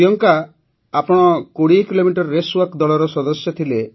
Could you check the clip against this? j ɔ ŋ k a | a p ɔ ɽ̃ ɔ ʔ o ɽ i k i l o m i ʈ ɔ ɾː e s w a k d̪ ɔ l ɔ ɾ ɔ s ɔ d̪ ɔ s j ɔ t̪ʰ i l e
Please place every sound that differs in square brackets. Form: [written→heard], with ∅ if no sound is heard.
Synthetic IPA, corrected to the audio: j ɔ ŋ k a | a p ɔ ɽ̃ ɔ [ʔ→k] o ɽ i k i l o m i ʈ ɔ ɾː e s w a k d̪ ɔ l ɔ ɾ ɔ s ɔ d̪ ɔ s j ɔ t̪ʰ i l e